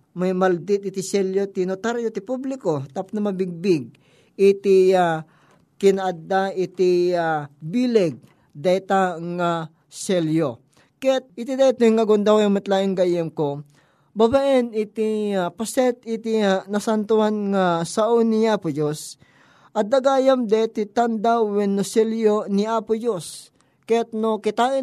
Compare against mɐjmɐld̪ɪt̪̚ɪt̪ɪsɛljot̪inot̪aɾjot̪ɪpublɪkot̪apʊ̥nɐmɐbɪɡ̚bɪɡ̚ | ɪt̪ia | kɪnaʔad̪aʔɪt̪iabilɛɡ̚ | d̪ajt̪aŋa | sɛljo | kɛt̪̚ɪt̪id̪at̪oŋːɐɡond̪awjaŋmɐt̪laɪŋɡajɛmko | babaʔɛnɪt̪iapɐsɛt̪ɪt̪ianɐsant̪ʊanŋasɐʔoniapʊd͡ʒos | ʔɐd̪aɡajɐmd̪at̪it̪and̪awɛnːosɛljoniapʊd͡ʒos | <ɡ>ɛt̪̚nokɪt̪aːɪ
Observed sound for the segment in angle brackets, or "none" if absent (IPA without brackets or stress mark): k